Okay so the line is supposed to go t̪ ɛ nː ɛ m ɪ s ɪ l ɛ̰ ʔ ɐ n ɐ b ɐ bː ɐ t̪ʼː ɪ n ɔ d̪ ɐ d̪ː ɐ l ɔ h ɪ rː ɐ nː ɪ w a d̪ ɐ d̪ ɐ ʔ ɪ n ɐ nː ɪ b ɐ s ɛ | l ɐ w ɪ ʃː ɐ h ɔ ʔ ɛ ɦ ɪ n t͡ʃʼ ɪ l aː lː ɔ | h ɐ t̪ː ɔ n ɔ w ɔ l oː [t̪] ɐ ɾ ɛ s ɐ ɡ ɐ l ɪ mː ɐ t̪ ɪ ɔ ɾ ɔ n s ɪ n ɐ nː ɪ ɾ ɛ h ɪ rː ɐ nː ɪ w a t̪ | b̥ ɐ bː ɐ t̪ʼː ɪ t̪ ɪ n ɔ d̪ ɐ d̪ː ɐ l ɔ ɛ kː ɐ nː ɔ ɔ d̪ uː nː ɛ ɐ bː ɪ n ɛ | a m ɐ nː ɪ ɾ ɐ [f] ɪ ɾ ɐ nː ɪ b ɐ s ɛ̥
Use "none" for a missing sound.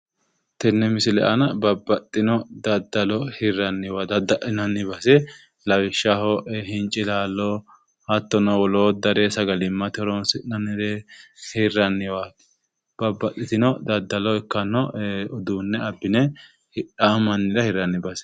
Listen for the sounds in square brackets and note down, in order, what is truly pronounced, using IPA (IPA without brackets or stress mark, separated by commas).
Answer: d̪, h